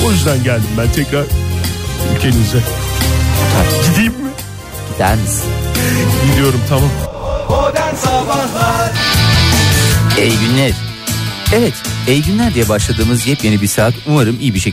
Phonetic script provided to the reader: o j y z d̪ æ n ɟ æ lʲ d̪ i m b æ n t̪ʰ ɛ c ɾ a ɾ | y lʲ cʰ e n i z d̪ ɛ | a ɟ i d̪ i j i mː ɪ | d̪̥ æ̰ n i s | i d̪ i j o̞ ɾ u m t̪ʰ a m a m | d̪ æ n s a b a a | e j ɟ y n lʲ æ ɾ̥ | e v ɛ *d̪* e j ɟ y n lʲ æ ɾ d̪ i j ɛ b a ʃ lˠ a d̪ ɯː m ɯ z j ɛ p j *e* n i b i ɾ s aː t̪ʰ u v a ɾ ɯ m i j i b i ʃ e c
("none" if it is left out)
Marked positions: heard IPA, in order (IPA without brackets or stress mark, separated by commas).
t̪, e